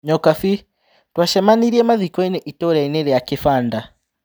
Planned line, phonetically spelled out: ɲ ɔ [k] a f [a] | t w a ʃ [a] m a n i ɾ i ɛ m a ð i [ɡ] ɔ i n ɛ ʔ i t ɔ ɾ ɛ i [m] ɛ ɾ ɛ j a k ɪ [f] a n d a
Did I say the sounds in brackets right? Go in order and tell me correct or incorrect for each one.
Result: correct, incorrect: i, incorrect: ɛ, incorrect: k, incorrect: n, correct

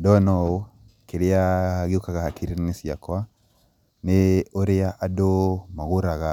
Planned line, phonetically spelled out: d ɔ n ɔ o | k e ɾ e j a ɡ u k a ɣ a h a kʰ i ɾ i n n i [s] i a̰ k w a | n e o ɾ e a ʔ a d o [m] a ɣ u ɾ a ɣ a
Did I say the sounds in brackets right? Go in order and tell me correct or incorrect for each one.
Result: correct, correct

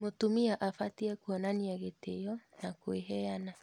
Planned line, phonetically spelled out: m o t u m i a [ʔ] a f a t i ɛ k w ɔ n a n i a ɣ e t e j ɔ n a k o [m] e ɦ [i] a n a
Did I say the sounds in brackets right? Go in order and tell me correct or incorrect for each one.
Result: correct, incorrect: none, incorrect: ɛ

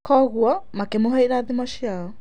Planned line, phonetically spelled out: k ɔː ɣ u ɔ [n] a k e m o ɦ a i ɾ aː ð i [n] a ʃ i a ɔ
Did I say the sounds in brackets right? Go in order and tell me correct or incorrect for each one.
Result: incorrect: m, incorrect: m

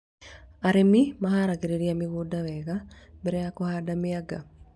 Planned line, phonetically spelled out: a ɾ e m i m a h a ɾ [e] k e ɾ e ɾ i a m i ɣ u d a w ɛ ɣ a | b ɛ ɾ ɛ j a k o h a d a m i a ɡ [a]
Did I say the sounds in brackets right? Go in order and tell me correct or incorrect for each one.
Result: incorrect: a, correct

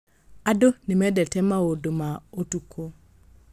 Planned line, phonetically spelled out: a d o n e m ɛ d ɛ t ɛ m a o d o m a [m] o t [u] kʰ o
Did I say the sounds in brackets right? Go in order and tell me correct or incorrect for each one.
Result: incorrect: none, correct

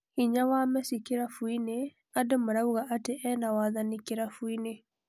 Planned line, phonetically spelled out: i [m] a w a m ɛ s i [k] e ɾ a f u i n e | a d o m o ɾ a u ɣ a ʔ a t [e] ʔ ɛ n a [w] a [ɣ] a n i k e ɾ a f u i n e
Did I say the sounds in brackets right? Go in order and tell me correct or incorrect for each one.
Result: incorrect: ɲ, correct, correct, correct, incorrect: ð

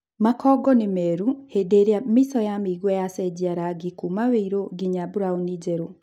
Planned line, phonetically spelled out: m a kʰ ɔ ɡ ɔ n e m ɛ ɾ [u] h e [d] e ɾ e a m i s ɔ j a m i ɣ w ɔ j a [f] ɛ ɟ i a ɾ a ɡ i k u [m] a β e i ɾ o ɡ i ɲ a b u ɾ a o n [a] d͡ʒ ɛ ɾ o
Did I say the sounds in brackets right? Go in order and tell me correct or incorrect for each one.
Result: correct, correct, incorrect: s, correct, incorrect: i

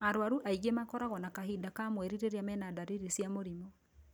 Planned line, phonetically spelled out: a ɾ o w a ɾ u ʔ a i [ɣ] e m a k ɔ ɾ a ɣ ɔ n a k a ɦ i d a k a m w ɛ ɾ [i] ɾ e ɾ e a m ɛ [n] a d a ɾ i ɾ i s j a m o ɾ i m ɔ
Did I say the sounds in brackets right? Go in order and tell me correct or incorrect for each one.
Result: correct, correct, correct

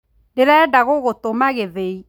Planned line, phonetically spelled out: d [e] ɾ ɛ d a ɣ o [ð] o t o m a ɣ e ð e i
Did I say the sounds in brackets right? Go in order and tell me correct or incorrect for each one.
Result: correct, incorrect: ɣ

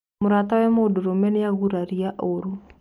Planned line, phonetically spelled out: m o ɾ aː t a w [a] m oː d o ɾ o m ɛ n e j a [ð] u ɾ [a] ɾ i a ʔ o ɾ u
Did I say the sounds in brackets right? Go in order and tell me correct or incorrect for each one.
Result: incorrect: ɛ, incorrect: ɣ, correct

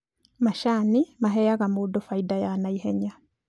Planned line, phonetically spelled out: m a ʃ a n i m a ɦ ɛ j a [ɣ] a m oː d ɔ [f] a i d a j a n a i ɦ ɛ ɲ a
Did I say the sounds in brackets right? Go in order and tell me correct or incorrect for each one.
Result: correct, correct

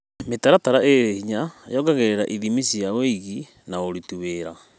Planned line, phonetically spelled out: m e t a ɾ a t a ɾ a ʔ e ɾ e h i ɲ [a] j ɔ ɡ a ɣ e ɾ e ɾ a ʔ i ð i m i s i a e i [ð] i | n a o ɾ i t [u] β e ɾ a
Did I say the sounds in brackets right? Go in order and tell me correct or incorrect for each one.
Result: correct, incorrect: ɣ, correct

